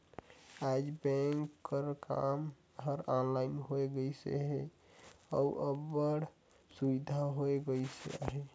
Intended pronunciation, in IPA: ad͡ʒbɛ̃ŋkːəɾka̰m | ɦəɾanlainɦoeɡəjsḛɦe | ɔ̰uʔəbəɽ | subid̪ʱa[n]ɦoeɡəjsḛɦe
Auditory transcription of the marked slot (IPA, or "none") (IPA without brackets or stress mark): none